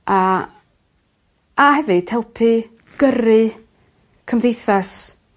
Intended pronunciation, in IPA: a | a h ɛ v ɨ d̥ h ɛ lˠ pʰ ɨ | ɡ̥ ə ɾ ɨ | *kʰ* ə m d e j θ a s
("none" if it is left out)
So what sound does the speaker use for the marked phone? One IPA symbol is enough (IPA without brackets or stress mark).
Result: kʰ